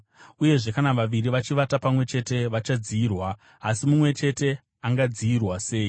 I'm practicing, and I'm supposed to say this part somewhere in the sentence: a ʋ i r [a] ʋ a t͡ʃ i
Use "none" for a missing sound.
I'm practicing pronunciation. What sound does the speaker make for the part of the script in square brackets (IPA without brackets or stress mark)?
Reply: i